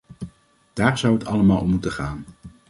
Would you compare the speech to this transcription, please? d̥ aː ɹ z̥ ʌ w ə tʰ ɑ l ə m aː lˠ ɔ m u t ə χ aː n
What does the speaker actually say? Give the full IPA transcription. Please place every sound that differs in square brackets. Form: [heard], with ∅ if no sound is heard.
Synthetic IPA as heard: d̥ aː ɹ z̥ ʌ w ə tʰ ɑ l ə m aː lˠ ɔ m u t ə χ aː n